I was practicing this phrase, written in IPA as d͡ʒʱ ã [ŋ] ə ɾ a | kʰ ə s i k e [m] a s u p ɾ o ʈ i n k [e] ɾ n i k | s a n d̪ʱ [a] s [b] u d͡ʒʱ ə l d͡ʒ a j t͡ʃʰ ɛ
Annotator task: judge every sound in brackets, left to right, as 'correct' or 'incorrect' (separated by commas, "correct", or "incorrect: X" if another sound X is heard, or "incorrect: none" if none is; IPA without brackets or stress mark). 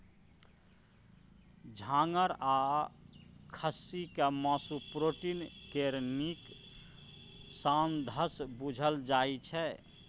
correct, correct, correct, incorrect: ə, correct